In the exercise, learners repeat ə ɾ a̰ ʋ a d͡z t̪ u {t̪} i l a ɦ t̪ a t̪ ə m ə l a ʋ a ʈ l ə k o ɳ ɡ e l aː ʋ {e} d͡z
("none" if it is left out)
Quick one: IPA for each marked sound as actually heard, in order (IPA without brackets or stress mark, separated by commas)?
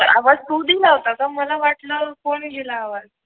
d̪, a